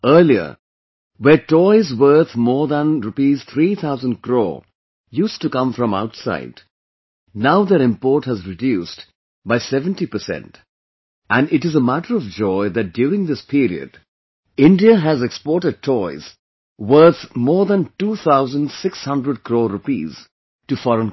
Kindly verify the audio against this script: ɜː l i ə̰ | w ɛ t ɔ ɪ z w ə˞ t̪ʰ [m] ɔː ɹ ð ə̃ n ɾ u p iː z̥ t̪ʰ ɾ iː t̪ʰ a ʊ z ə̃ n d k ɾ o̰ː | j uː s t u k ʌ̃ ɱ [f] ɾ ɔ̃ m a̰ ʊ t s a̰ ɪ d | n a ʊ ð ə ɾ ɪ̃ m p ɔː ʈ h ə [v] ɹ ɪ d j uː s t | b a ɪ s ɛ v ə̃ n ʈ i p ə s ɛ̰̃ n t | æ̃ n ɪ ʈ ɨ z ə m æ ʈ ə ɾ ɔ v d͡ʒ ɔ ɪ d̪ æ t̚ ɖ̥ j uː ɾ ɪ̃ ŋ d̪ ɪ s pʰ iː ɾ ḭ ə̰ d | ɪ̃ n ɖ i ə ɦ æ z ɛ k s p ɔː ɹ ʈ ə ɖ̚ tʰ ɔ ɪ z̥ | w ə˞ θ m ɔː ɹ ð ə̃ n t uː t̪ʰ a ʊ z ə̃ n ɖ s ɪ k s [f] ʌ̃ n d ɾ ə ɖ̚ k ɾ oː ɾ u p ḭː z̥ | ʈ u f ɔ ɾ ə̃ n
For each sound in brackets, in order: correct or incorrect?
correct, correct, incorrect, incorrect

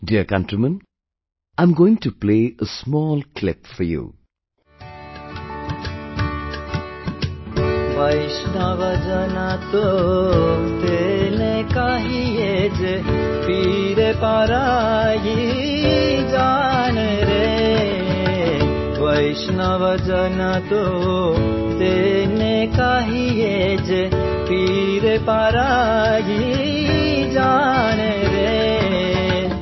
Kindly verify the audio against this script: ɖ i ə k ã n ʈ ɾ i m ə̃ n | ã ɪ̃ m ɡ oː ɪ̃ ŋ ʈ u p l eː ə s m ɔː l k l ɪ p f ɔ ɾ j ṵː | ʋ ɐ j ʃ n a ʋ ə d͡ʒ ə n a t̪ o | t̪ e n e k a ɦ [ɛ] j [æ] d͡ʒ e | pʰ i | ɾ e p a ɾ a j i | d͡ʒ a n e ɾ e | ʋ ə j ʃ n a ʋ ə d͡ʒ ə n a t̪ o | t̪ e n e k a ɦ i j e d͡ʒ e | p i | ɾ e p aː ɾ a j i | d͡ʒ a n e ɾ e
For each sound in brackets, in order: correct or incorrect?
incorrect, incorrect

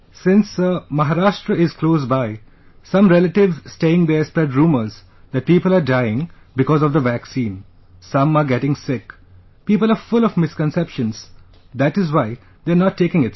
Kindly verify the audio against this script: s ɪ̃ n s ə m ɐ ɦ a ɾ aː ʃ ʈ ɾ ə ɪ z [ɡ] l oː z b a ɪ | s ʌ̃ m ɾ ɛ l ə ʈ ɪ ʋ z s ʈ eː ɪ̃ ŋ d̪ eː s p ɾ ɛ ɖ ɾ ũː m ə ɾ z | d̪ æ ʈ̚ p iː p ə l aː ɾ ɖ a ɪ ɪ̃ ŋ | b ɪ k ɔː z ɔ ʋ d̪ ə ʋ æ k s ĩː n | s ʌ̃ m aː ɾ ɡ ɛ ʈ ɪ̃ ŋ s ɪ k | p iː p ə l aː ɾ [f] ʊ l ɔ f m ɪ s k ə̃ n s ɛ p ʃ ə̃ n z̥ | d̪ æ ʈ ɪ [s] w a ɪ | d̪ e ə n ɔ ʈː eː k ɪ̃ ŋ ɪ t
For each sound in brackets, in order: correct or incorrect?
incorrect, correct, incorrect

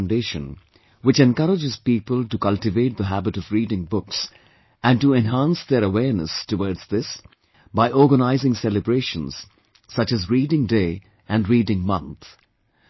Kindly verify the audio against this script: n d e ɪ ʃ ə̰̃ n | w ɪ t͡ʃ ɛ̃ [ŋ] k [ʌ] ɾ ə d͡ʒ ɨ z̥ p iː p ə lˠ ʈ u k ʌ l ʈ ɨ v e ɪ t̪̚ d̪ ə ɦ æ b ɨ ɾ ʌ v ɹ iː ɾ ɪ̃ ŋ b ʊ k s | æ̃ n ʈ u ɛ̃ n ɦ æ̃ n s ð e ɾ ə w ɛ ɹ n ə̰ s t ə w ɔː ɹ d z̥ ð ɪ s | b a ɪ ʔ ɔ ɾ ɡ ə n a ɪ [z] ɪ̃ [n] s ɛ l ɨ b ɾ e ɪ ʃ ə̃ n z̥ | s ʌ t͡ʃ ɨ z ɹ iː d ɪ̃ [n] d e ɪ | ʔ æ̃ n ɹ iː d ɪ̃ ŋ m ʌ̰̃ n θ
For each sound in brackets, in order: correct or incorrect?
incorrect, correct, correct, incorrect, incorrect

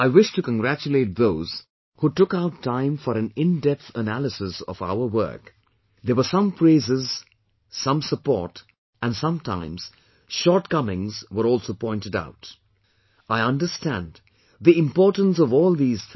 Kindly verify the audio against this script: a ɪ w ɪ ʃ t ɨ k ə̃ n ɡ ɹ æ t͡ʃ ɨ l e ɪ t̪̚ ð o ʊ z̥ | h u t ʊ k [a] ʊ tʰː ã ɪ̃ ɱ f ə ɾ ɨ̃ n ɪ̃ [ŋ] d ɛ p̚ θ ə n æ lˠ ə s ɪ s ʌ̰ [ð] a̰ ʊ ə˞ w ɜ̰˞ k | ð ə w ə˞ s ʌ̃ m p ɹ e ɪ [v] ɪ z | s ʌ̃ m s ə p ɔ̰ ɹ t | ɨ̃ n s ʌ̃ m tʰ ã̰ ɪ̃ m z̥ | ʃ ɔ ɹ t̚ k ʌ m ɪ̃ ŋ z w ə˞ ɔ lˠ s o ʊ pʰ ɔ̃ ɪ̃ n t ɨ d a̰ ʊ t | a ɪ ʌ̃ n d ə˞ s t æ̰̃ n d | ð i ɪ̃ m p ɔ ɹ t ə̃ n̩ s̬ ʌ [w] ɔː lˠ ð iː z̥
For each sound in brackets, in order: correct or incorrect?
correct, incorrect, incorrect, incorrect, incorrect

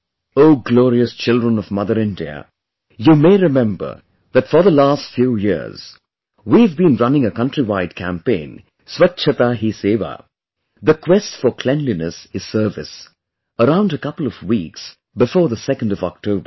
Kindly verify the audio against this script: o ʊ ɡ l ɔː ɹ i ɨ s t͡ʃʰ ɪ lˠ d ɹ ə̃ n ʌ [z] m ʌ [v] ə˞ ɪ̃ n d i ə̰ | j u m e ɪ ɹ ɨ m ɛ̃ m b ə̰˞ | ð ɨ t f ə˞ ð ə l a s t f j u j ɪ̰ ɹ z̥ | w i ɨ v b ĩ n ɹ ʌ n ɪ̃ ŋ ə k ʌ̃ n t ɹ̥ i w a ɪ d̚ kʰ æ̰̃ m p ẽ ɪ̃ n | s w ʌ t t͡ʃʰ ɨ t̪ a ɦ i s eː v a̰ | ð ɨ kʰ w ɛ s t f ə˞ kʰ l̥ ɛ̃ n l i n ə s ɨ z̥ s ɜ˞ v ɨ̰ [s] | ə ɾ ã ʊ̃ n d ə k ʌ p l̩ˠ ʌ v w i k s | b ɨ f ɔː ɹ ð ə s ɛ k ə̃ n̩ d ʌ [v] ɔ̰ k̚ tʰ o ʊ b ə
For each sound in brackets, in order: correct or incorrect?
incorrect, incorrect, correct, correct

